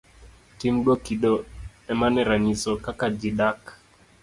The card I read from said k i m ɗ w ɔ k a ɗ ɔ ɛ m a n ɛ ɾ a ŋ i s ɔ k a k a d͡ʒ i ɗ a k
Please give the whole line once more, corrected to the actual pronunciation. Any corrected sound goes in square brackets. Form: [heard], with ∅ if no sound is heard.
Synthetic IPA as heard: [t] i m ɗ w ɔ k [i] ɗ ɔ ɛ m a n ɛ ɾ a [ɲ] i s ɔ k a k a d͡ʒ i ɗ a k